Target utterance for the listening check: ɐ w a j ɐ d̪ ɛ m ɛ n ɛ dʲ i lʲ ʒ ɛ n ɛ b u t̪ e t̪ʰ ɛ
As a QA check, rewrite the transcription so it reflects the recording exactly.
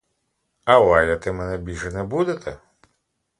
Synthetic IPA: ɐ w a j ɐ t̪ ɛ m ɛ n ɛ bʲ i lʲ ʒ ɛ n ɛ b u d̪ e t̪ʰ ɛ

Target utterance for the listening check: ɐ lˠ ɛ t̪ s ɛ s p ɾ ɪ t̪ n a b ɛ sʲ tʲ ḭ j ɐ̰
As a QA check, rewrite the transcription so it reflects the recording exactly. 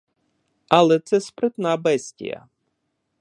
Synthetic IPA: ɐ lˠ ɛ t̪ s ɛ s p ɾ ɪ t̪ n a b ɛ sʲ tʲ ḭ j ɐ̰

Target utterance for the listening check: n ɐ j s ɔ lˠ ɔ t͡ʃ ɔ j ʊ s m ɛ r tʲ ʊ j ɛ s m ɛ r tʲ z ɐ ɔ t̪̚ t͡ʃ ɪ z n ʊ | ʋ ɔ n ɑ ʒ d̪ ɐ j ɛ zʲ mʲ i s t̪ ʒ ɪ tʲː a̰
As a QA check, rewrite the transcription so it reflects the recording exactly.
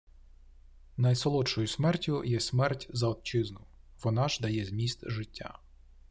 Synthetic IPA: n ɐ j s ɔ lˠ ɔ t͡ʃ ɔ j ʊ s m ɛ r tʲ ʊ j ɛ s m ɛ r tʲ z ɐ ɔ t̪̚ t͡ʃ ɪ z n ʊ | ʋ ɔ n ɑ ʒ d̪ ɐ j ɛ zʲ mʲ i s t̪ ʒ ɪ tʲː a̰

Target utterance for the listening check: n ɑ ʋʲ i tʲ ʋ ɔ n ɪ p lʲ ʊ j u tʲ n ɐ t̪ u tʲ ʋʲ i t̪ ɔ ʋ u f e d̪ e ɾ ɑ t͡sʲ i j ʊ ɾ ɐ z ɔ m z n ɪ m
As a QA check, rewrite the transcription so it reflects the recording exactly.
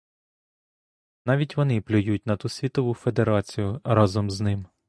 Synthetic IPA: n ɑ ʋʲ i tʲ ʋ ɔ n ɪ p lʲ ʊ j u tʲ n ɐ t̪ u sʲ ʋʲ i t̪ ɔ ʋ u f e d̪ e ɾ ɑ t͡sʲ i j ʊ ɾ ɑ z ɔ m z n ɪ m

